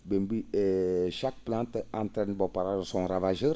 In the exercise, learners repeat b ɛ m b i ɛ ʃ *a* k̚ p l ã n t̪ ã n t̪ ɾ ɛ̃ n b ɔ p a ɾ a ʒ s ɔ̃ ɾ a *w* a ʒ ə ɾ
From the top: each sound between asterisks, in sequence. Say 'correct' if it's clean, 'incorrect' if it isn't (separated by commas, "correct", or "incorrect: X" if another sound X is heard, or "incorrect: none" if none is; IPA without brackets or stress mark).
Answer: correct, incorrect: v